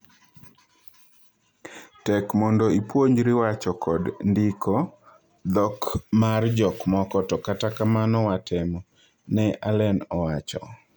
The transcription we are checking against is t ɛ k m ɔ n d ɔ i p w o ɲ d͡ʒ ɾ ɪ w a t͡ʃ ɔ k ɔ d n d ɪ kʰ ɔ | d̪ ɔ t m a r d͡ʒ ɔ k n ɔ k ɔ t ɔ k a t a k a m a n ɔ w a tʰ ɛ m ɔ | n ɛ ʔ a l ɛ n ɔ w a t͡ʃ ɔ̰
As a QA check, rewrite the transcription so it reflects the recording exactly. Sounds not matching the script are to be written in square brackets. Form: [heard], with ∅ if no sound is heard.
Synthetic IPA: t ɛ k m ɔ n d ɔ i p w o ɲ d͡ʒ ɾ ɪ w a t͡ʃ ɔ k ɔ d n d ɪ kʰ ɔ | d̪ ɔ [k] m a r d͡ʒ ɔ k [m] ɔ k ɔ t ɔ k a t a k a m a n ɔ w a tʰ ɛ m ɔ | n ɛ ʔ a l ɛ n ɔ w a t͡ʃ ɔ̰